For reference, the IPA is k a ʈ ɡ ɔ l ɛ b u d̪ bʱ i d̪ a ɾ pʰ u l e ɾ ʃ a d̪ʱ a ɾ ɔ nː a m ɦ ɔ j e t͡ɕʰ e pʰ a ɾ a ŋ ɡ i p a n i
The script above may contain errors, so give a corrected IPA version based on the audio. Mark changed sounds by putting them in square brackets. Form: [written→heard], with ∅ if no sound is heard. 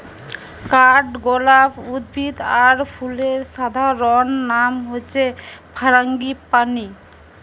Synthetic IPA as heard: k a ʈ ɡ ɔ l [ɛ→a] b u d̪ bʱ i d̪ a ɾ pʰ u l e ɾ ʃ a d̪ʱ a ɾ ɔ nː a m ɦ [ɔ→o] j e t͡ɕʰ e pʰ a ɾ a ŋ ɡ i p a n i